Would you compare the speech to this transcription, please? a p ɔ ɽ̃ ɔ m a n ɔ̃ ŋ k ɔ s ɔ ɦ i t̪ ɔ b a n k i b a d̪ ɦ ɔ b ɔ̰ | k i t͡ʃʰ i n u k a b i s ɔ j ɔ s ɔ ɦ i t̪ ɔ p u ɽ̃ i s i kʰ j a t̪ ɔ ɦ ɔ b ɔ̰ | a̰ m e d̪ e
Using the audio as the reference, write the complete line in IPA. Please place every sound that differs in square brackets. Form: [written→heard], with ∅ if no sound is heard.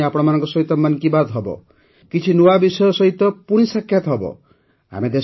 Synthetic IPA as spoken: a p ɔ ɽ̃ ɔ m a n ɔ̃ ŋ k ɔ s ɔ ɦ i t̪ ɔ [b→m] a n k i b a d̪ ɦ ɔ b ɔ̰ | k i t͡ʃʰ i n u [k→∅] a b i s ɔ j ɔ s ɔ ɦ i t̪ ɔ p u ɽ̃ i s [i→a] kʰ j a t̪ ɔ ɦ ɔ b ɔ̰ | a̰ m e d̪ e